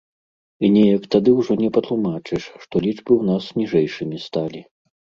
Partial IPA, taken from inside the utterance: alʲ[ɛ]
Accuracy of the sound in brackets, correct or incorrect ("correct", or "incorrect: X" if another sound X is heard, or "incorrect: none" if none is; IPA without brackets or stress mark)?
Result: incorrect: i